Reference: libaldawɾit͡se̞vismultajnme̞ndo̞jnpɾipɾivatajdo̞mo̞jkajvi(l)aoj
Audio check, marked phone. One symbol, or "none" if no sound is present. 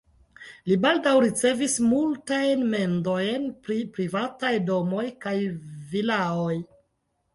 l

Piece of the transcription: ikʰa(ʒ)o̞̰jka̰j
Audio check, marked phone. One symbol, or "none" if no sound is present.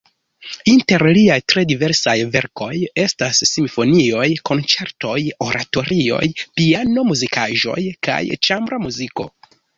ʒ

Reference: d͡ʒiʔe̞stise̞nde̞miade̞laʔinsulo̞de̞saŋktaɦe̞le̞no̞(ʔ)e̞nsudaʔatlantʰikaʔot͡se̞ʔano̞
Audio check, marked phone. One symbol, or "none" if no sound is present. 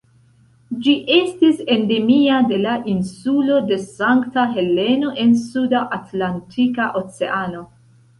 ʔ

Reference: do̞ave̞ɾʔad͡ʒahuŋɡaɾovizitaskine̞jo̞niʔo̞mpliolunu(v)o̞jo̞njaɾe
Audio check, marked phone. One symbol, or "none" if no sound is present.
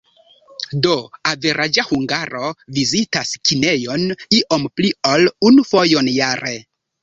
f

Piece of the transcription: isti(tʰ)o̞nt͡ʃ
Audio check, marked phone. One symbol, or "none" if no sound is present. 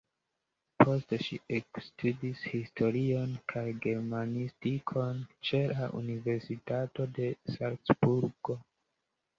kʰ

